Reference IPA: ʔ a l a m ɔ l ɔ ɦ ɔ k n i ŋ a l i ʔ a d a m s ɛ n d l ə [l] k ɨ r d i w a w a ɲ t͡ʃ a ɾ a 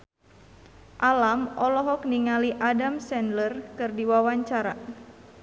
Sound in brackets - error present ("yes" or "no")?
yes